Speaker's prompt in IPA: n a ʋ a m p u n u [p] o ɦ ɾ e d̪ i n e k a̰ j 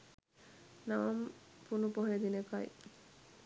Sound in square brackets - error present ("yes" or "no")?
no